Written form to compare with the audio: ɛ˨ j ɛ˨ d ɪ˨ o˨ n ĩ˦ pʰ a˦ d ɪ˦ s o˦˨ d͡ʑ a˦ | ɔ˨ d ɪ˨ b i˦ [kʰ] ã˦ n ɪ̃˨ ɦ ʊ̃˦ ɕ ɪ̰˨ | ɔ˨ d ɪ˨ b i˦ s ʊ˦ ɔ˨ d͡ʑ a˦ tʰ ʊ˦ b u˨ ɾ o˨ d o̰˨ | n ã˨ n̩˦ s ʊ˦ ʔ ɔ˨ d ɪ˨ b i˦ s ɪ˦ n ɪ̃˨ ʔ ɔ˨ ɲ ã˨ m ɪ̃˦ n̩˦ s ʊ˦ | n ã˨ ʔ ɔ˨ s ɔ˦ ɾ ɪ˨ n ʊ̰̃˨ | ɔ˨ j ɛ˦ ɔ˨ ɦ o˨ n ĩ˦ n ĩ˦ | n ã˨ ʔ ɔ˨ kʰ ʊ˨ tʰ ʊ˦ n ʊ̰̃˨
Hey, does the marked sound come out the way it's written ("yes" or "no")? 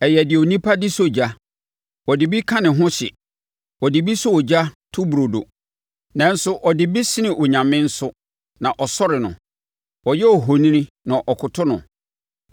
yes